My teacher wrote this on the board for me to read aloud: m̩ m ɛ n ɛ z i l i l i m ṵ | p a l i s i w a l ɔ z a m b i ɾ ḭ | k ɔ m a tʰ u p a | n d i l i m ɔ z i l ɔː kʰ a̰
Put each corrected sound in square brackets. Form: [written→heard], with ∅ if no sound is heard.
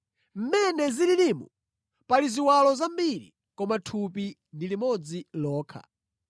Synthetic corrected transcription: m̩ m ɛ n ɛ z i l i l i m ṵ | p a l i [s→z] i w a l ɔ z a m b i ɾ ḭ | k ɔ m a tʰ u p [a→i] | n d i l i m ɔ [z→d͡z] i l ɔː kʰ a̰